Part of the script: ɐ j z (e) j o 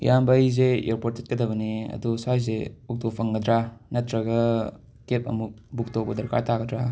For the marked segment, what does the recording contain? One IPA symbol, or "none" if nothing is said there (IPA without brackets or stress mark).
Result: e